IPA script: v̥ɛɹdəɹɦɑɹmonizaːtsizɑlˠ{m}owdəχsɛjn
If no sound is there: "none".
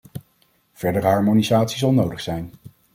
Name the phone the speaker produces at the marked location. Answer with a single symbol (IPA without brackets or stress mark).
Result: n